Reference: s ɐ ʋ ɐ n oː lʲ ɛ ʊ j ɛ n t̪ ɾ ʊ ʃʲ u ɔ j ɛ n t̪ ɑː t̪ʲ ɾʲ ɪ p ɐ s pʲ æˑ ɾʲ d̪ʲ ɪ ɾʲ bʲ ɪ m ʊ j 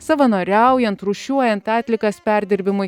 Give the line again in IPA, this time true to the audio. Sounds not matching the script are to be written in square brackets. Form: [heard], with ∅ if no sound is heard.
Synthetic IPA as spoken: s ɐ ʋ ɐ n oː [ɾʲ] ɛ ʊ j ɛ n t̪ ɾ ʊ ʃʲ u ɔ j ɛ n t̪ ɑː t̪ʲ [lʲ] ɪ [k] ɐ s pʲ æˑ ɾʲ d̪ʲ ɪ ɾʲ bʲ ɪ m ʊ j